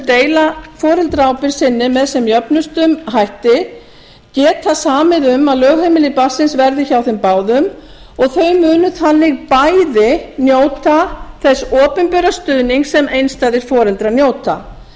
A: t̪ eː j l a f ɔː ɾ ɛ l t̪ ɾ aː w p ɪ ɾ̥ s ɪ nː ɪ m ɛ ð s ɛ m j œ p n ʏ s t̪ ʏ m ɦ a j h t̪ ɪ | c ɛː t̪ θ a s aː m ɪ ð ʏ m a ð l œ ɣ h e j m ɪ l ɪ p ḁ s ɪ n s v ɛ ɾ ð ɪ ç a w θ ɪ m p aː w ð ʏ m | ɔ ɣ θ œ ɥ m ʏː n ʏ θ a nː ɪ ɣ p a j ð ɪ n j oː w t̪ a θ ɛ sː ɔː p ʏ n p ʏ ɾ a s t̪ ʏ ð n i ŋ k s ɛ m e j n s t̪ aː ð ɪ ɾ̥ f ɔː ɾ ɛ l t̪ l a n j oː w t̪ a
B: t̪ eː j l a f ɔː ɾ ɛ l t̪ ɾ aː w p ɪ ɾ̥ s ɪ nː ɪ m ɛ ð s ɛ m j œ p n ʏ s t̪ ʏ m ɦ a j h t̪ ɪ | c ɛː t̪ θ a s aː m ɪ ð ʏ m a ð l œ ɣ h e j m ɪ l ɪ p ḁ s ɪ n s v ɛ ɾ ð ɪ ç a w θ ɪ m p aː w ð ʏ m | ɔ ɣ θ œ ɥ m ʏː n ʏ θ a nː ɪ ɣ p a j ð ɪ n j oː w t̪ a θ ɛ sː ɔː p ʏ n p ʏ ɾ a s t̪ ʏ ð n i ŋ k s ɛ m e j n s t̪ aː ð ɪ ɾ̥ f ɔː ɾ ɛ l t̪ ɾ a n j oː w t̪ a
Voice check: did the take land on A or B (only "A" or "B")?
B